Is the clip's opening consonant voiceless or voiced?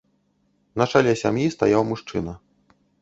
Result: voiced